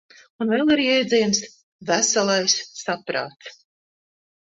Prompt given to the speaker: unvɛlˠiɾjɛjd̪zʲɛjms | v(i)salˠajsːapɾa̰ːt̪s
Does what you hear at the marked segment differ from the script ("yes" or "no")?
yes